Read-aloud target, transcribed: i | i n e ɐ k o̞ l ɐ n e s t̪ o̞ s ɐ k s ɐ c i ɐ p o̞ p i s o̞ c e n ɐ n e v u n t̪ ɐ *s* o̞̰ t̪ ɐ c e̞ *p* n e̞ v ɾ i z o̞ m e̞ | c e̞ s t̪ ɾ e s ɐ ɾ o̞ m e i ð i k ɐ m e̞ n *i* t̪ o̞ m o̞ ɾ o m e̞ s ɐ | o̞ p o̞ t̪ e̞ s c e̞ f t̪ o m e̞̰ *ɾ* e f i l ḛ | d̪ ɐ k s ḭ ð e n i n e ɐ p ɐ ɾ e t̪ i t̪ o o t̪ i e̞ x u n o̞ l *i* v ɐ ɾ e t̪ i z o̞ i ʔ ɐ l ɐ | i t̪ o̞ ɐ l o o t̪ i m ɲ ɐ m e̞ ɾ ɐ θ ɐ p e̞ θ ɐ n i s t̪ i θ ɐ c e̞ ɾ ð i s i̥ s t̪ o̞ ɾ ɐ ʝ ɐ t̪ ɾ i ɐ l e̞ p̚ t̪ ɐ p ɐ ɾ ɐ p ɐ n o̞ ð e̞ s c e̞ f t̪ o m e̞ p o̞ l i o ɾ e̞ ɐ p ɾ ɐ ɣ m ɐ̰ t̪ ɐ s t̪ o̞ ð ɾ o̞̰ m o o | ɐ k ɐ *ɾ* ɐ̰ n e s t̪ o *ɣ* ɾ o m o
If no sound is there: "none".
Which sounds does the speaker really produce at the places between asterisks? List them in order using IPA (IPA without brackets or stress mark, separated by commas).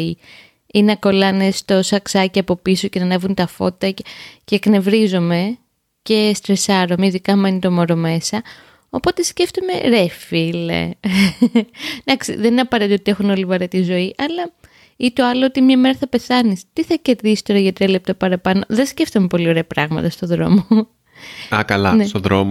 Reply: f, k, i, ɾ, i, l, ð